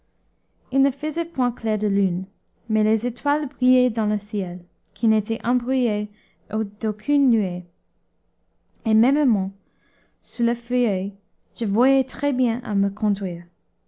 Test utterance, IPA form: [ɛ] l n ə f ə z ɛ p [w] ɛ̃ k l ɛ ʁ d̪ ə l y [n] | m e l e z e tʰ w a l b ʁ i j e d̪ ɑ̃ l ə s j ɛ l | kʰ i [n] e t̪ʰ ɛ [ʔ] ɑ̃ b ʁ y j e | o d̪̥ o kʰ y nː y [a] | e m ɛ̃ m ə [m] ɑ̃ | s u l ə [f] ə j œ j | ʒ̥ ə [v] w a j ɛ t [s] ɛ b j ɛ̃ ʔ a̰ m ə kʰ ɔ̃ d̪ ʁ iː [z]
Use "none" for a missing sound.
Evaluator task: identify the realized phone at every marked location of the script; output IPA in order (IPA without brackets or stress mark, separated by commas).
i, w, n, n, ʔ, e, m, f, v, χ, ʁ